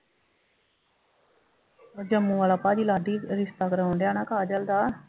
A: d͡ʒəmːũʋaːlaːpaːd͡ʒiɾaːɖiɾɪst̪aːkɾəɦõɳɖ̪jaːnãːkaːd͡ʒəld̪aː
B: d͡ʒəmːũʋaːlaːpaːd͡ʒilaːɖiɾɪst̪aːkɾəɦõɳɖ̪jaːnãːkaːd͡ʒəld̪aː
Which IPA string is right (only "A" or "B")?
B